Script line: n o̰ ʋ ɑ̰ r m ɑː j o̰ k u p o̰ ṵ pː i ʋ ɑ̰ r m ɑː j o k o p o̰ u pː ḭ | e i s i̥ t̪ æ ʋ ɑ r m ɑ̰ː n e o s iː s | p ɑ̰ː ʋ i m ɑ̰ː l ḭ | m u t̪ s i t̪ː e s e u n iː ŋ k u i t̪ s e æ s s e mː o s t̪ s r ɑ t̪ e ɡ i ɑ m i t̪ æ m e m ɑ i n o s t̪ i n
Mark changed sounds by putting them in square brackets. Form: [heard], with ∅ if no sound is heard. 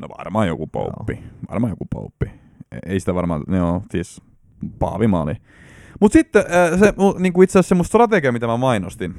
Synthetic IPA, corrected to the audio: n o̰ ʋ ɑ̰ r m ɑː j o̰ k u p o̰ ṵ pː i ʋ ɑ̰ r m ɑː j o k [u] p o̰ u pː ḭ | e i s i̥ t̪ æ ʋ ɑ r m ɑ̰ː n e o s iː s | p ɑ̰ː ʋ i m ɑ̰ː l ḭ | m u t̪ s i t̪ː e s e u n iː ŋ k u i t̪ s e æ s s e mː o s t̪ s r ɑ t̪ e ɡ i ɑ m i t̪ æ m [æ] m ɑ i n o s t̪ i n